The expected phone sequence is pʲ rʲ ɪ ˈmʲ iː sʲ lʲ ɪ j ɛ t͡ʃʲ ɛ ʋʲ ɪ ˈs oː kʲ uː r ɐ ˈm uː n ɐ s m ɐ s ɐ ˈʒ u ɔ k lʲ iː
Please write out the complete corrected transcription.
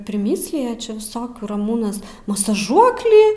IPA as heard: pʲ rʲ ɪ ˈmʲ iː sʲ lʲ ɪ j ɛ t͡ʃʲ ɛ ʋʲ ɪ ˈs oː kʲ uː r ɐ ˈm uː n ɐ s m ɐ s ɐ ˈʒ u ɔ k lʲ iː